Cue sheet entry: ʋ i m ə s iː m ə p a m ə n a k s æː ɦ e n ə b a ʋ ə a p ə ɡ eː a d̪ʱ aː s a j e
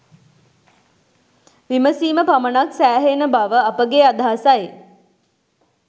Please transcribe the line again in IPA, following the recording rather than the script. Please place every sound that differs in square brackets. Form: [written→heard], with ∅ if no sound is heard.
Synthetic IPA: ʋ i m ə s iː m ə p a m ə n a k s æː ɦ e n ə b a ʋ ə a p ə ɡ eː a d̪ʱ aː s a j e